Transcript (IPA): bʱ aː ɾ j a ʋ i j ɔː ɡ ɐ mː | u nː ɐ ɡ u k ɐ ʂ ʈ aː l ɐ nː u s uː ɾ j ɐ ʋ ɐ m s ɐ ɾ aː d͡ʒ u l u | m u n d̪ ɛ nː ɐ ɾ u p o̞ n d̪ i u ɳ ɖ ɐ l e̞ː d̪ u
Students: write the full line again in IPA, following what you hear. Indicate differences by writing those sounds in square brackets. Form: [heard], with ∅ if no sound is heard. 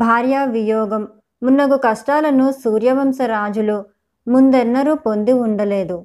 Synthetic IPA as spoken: bʱ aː ɾ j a ʋ i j ɔː ɡ ɐ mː | u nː ɐ ɡ u k ɐ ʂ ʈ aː l ɐ [n] u s uː ɾ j ɐ ʋ ɐ m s ɐ ɾ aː d͡ʒ u l u | m u n d̪ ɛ nː ɐ ɾ u p o̞ n d̪ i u ɳ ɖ ɐ l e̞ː d̪ u